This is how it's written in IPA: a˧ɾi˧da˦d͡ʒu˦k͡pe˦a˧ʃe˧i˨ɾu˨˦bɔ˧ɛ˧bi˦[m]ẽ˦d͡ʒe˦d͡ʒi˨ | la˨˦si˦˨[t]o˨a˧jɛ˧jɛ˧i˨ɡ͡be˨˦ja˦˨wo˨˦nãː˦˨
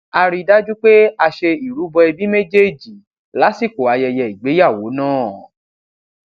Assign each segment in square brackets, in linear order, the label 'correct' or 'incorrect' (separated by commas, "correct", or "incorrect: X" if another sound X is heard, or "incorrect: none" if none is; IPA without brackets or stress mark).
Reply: correct, incorrect: k